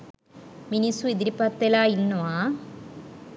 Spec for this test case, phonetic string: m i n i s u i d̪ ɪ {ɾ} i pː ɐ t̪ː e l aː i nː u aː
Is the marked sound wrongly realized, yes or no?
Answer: no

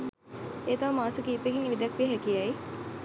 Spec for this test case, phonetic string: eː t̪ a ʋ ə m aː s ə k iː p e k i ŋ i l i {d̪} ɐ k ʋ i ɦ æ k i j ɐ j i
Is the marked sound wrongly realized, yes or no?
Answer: no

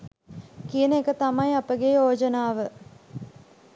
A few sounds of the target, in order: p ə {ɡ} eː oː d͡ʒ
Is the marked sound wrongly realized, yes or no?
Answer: no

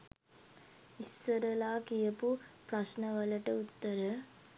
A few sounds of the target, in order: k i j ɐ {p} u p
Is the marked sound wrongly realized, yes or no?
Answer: no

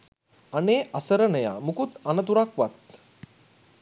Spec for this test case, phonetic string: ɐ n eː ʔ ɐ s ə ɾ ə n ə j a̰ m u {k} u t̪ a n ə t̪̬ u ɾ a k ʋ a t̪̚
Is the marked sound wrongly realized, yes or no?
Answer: no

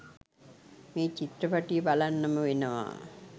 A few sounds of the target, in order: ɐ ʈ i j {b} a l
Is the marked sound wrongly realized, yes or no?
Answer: no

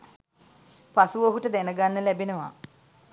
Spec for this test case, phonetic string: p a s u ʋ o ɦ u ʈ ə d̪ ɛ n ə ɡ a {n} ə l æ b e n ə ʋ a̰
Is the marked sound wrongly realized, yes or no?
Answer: yes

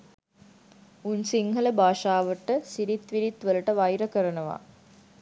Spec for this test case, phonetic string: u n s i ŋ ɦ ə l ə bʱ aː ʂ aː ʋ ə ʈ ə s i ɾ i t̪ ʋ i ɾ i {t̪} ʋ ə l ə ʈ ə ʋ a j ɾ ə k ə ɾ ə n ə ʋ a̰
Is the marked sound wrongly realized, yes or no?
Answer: no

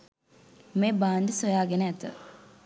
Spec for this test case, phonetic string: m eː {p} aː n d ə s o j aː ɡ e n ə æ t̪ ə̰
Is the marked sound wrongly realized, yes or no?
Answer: yes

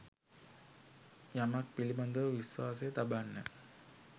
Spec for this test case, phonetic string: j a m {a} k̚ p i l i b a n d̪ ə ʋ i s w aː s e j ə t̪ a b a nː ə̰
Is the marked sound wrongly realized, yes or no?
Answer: no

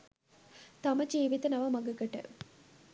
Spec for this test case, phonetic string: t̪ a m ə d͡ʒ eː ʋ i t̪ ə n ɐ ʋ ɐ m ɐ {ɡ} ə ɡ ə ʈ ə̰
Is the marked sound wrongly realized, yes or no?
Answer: no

